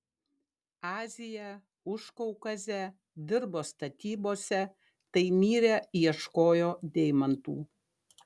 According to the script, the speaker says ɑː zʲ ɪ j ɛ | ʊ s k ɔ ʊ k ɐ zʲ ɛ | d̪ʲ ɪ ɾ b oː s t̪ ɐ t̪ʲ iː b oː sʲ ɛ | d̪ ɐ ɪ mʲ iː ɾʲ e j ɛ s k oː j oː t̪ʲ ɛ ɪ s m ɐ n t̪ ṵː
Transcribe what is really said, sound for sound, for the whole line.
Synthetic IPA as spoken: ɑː zʲ ɪ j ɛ | ʊ ʃ k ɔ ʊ k ɐ zʲ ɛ | d̪ʲ ɪ ɾ b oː s t̪ ɐ t̪ʲ iː b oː sʲ ɛ | t̪ ɐ ɪ mʲ iː ɾʲ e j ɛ ʃ k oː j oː d̪ʲ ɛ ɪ m ɐ n t̪ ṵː